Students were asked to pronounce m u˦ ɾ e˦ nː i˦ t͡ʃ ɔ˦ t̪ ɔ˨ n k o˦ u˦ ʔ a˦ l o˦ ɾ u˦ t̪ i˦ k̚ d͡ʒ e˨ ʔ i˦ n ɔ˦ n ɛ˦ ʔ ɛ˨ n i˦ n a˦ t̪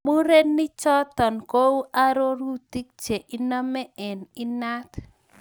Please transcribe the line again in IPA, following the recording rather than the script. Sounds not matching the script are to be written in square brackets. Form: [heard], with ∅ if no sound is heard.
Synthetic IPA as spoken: m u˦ ɾ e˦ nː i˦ t͡ʃ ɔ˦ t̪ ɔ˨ n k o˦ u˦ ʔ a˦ [ɾ] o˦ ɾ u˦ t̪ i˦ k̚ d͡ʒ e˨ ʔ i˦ n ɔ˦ [m] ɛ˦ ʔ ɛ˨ n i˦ n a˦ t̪